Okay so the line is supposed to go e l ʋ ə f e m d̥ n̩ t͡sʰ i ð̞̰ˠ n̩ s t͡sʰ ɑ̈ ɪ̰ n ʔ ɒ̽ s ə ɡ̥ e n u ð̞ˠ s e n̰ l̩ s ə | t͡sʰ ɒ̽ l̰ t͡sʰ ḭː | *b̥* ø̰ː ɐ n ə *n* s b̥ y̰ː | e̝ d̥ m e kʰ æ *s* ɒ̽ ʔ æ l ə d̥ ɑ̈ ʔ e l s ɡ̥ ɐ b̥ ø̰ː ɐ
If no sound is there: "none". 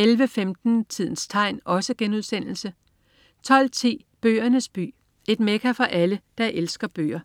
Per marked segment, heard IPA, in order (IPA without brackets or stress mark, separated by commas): b̥, none, f